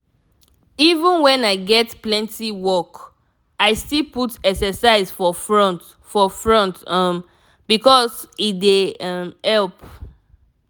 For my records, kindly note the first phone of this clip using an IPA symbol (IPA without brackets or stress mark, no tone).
i